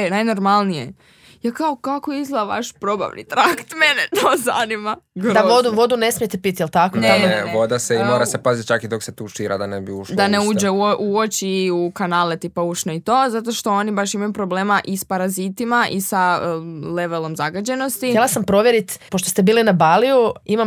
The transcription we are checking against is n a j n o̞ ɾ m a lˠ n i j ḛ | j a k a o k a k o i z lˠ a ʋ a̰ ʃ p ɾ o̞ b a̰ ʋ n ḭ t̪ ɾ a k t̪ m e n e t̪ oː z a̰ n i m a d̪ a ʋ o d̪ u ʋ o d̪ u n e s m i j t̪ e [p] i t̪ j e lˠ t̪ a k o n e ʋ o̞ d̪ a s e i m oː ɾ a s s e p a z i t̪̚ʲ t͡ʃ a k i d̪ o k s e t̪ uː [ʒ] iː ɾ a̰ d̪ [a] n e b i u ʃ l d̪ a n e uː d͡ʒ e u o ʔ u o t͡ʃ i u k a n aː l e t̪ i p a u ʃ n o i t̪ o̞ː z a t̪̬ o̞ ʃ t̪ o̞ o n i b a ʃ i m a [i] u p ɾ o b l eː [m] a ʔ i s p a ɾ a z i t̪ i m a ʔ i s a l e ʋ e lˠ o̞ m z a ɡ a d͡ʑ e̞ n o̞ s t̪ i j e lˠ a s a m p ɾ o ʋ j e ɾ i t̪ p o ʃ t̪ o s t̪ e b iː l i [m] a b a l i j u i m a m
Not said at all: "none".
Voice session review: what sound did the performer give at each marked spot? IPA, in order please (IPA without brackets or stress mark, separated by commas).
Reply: p, ʃ, a, j, m, n